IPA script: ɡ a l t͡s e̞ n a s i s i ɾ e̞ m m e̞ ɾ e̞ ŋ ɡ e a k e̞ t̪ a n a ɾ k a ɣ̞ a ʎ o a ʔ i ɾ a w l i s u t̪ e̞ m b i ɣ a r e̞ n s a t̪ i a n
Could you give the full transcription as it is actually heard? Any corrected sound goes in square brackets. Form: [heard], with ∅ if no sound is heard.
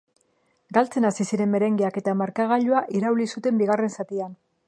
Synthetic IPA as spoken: ɡ a l t͡s e̞ n a s i s i ɾ e̞ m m e̞ ɾ e̞ ŋ ɡ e a k e̞ t̪ a [m] a ɾ k a ɣ̞ a ʎ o a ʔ i ɾ a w l i s u t̪ e̞ m b i ɣ a r e̞ n s a t̪ i a n